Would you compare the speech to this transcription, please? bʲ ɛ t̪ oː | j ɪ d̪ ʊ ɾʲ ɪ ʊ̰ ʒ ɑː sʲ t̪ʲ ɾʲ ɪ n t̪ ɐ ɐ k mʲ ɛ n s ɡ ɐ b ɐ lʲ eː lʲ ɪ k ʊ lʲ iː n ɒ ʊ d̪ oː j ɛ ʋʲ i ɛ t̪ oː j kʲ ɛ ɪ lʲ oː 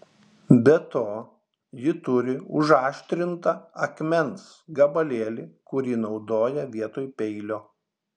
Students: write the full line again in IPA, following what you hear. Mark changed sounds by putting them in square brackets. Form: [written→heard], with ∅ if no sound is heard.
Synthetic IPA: bʲ ɛ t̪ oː | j ɪ [d̪→t̪] ʊ ɾʲ ɪ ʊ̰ ʒ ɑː [sʲ→ʃʲ] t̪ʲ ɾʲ ɪ n t̪ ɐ ɐ k mʲ ɛ n s ɡ ɐ b ɐ lʲ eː lʲ ɪ k ʊ [lʲ→ɾʲ] iː n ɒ ʊ d̪ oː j ɛ ʋʲ i ɛ t̪ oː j [kʲ→pʲ] ɛ ɪ lʲ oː